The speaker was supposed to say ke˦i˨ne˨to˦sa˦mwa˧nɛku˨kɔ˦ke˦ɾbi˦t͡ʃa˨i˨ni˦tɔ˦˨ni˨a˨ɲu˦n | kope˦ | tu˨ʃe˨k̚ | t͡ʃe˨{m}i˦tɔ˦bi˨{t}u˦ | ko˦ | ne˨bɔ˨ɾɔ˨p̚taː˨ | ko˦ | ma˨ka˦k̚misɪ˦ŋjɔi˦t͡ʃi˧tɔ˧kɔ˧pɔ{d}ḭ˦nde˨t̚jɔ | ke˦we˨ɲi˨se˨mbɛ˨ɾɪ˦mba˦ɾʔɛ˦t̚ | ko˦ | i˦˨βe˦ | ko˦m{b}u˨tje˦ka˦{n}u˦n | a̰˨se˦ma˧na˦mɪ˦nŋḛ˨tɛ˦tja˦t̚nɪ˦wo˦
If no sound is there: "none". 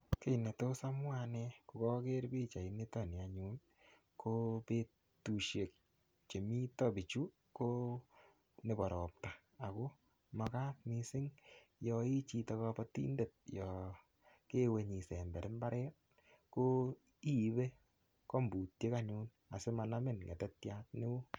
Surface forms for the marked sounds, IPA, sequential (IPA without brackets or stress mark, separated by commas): m, t͡ʃ, t, b, ɲ